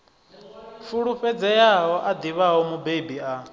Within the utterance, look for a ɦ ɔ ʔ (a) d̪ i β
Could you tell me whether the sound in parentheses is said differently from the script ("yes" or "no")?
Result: no